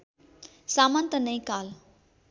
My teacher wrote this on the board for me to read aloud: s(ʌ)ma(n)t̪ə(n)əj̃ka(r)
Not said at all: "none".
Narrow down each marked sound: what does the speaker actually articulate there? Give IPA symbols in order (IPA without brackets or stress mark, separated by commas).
a, n, n, l